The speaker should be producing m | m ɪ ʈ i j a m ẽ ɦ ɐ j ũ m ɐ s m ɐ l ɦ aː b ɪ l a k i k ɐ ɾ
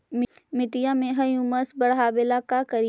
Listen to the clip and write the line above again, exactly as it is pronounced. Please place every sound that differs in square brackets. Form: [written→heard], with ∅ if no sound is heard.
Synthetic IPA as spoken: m | m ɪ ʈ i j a m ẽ ɦ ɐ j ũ m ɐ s [m→b] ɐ [l→ɽ] ɦ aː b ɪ l a k [i→a] k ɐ ɾ